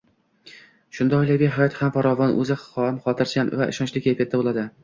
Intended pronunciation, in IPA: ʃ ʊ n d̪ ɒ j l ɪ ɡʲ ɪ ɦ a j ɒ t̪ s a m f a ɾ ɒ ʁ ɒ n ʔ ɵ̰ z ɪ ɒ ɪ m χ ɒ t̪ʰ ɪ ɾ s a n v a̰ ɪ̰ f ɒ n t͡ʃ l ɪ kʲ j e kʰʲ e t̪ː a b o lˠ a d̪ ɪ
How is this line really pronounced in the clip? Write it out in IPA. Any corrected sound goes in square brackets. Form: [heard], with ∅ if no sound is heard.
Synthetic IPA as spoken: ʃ ʊ n d̪ ɒ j l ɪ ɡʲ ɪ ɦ a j ɒ t̪ [h] a m f a ɾ ɒ [v] ɒ n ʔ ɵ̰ z ɪ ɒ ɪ m χ ɒ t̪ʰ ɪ ɾ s a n v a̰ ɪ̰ [ʃ] ɒ n t͡ʃ l ɪ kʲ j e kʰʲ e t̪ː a b o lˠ a d̪ ɪ